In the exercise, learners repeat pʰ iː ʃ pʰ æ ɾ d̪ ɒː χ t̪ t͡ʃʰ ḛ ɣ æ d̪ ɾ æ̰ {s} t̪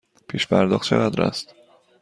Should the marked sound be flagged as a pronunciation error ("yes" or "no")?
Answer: no